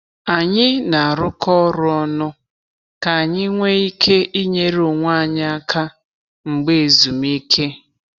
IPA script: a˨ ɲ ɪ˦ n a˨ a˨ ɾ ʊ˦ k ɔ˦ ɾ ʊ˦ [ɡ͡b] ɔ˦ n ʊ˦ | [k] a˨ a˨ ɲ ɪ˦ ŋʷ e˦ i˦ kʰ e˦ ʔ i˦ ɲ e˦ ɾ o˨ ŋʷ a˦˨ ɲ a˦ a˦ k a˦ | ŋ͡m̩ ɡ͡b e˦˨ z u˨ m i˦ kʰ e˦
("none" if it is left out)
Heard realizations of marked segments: none, k

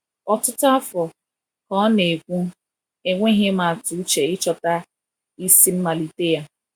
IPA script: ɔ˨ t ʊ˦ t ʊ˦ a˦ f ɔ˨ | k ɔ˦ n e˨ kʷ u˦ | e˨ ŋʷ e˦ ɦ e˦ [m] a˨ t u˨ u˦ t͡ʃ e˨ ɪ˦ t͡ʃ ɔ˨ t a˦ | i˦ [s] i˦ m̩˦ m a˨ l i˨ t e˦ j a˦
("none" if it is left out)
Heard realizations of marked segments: m, s

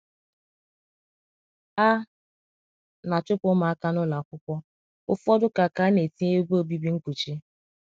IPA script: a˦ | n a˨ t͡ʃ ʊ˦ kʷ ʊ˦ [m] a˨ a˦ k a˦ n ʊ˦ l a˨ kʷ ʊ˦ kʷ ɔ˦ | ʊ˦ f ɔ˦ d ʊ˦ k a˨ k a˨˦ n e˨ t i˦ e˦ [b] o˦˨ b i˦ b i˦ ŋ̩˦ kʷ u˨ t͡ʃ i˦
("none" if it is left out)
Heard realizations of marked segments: m, b

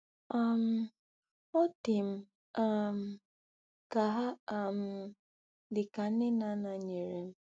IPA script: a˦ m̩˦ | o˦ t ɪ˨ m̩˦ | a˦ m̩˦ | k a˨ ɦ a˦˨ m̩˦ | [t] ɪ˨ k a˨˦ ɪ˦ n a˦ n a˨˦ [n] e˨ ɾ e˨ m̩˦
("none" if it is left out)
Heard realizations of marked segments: d, ɲ

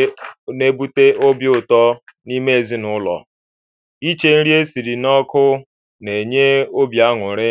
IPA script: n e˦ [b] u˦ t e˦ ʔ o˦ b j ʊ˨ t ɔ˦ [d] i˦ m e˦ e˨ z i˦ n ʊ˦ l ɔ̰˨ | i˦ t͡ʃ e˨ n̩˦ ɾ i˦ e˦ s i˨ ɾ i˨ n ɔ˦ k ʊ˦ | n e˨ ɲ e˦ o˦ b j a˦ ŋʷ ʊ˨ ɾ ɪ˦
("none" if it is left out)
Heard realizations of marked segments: b, n

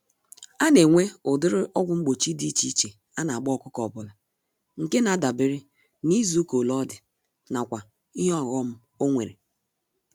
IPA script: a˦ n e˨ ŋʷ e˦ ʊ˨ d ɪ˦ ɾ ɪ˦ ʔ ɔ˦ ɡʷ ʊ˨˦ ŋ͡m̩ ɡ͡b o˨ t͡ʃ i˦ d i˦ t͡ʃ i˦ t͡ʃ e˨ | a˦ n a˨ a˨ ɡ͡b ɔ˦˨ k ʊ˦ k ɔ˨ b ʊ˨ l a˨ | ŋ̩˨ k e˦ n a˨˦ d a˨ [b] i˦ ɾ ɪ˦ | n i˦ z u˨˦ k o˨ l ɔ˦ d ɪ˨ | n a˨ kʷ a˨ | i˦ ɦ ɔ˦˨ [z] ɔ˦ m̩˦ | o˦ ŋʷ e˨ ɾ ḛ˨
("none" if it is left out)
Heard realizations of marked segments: b, ɣ

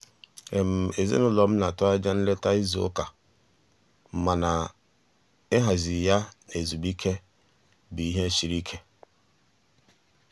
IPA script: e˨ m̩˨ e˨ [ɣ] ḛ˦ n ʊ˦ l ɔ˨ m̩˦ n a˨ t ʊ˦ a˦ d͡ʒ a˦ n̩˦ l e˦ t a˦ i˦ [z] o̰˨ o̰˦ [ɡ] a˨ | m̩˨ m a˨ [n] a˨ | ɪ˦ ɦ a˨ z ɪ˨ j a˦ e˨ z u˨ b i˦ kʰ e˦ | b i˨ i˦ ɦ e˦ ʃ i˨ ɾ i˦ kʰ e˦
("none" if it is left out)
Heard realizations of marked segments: z, z, k, n

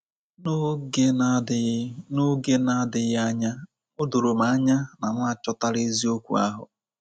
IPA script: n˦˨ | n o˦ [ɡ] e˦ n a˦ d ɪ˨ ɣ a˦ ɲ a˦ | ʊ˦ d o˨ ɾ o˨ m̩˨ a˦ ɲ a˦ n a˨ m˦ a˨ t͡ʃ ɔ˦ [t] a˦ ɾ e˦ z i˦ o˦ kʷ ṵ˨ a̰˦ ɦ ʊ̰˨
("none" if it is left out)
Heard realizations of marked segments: ɡ, t

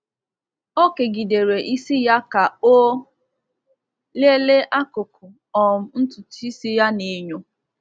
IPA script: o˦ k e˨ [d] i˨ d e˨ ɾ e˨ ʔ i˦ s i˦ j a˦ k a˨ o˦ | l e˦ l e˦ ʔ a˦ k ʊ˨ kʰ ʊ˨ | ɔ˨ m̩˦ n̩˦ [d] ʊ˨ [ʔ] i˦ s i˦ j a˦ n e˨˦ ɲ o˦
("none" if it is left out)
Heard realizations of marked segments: ɡ, t, t

